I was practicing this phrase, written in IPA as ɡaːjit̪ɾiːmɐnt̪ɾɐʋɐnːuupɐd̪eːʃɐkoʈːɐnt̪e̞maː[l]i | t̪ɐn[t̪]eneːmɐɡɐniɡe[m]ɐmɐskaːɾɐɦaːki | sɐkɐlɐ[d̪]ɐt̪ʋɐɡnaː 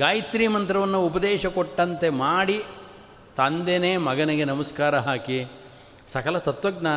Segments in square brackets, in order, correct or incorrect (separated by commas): incorrect, incorrect, incorrect, incorrect